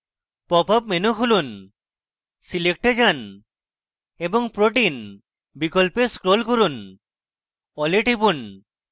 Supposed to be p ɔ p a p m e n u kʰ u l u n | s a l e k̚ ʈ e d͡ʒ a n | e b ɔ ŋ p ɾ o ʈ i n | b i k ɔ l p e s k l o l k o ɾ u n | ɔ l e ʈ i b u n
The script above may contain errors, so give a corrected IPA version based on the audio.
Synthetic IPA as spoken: p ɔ p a p m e n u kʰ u l u n | s i l e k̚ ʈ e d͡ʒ a n | e b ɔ ŋ p ɾ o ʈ i n | b i k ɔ l p e s k ɾ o l k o ɾ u n | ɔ l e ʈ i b u n